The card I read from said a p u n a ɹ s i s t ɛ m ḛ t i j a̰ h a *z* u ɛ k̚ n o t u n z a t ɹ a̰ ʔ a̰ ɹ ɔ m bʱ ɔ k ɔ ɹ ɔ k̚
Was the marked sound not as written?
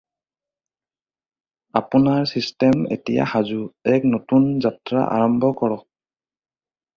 no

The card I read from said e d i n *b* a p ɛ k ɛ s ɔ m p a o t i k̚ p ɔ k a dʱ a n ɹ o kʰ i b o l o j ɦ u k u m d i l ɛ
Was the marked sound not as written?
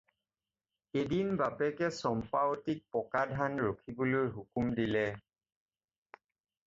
no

